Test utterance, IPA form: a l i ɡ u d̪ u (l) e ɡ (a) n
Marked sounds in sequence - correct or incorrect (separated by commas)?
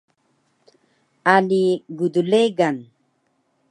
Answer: correct, correct